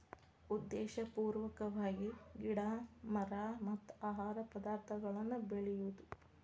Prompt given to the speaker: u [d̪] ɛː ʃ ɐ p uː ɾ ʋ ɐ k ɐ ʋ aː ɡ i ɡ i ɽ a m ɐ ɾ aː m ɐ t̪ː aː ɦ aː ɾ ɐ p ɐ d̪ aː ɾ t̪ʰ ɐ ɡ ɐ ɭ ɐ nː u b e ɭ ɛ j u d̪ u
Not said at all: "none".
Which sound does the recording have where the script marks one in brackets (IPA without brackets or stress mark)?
d̪ː